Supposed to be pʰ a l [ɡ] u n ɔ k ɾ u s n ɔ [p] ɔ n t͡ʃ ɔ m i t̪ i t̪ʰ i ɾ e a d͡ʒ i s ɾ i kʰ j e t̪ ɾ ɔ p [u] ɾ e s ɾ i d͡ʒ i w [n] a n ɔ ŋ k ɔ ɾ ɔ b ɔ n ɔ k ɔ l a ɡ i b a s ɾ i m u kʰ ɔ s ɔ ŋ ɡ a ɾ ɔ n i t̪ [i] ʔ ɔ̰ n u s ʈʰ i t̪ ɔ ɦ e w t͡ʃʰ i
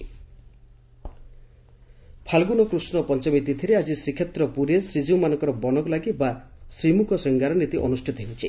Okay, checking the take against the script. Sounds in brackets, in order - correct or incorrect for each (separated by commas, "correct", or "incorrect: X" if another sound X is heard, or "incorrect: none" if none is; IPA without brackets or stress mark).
correct, correct, correct, incorrect: m, correct